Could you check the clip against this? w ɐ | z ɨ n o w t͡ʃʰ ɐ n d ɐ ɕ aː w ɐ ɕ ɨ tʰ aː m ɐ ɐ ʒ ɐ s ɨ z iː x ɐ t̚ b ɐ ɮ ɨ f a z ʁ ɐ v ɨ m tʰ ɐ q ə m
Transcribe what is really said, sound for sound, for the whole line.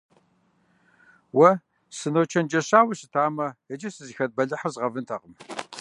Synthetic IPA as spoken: w ɐ | s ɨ n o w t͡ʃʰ ɐ n d͡ʒ ɐ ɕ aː w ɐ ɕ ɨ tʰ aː m ɐ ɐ d͡ʒ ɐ s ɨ z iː x ɐ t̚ b ɐ ɮ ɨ ħ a z ʁ ɐ v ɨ n tʰ ɐ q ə m